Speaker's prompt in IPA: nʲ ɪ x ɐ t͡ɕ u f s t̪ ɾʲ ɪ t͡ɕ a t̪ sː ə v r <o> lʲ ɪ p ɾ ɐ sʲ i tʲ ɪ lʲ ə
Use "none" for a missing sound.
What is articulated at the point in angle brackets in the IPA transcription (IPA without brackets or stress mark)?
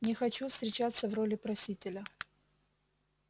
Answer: o